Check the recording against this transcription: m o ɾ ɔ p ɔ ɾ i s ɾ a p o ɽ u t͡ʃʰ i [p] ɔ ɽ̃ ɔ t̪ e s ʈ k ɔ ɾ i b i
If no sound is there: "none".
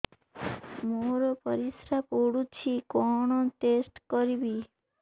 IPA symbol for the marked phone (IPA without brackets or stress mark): k